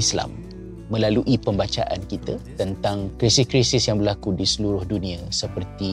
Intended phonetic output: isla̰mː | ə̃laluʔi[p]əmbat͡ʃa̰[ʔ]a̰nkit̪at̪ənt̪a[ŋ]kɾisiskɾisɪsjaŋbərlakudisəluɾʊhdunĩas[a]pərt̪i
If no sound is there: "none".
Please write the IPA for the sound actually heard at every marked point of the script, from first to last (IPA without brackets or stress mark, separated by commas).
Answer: p, ʔ, ŋ, ə